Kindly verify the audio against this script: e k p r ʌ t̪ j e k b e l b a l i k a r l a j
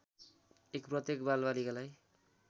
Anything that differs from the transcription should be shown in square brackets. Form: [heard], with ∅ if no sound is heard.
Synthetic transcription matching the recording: e k p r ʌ t̪ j e k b [a] l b a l i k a [∅] l a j